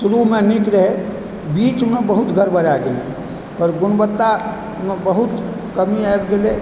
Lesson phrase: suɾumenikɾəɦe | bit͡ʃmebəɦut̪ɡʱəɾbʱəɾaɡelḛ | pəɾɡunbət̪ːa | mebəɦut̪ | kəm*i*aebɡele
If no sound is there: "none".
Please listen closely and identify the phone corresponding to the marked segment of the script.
i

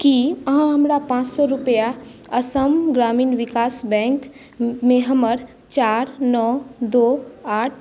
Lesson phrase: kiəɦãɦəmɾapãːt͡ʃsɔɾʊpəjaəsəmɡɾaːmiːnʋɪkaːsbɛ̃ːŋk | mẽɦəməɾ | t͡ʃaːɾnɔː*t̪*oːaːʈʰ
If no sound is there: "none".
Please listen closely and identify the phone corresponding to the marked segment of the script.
d̪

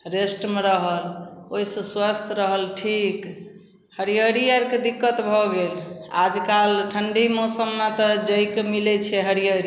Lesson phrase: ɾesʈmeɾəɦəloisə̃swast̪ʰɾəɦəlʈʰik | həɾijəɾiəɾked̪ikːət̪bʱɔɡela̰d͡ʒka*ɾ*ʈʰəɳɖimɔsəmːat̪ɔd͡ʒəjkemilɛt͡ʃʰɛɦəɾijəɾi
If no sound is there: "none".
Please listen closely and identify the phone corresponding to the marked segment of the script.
l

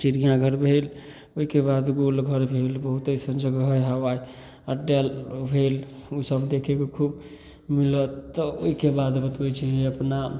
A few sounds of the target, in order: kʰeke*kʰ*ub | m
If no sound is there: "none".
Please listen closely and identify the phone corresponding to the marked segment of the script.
kʰ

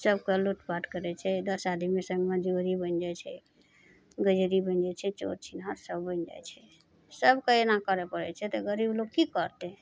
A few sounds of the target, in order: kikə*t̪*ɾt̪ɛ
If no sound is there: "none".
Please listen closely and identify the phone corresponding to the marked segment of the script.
none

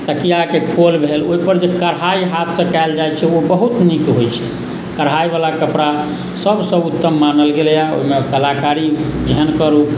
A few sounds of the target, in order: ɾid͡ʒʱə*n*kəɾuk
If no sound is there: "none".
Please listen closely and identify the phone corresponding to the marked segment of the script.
n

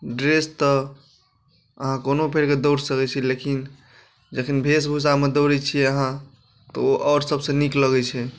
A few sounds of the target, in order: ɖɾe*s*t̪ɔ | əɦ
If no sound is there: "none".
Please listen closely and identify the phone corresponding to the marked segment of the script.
s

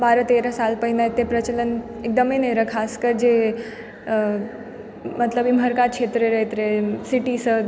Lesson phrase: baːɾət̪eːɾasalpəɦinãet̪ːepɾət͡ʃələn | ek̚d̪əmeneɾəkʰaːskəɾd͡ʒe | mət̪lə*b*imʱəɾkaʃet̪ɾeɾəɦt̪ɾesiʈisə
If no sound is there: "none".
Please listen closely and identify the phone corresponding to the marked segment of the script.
b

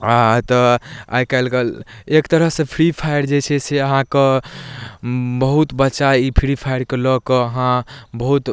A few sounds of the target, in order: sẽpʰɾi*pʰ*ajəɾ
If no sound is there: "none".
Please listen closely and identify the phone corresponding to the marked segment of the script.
pʰ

